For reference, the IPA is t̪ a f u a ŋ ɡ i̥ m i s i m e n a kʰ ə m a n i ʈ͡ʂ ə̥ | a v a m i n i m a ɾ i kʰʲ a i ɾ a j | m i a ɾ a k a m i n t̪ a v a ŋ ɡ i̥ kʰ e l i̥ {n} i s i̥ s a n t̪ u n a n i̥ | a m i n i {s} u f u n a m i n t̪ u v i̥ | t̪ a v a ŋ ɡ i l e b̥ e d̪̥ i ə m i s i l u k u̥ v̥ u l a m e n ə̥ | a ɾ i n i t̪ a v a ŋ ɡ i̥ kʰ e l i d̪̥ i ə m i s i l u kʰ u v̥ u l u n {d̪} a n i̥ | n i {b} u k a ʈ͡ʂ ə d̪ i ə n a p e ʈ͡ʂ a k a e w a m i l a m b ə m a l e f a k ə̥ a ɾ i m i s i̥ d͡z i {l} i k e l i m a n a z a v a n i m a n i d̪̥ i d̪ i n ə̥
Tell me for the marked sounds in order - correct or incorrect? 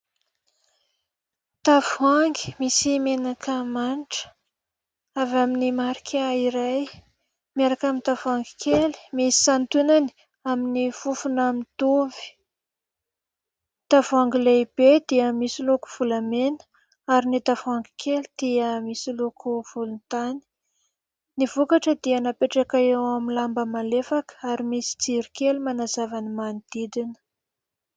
incorrect, incorrect, incorrect, incorrect, incorrect

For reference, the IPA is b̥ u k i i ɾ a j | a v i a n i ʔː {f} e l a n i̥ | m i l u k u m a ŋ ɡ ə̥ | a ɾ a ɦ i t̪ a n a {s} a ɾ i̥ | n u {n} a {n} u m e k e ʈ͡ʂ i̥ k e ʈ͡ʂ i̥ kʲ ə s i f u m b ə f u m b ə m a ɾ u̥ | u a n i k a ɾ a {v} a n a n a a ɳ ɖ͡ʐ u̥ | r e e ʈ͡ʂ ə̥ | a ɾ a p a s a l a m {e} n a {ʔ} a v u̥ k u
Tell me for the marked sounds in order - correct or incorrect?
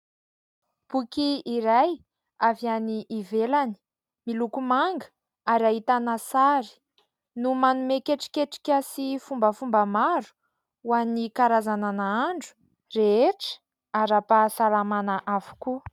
incorrect, correct, incorrect, correct, incorrect, incorrect, correct

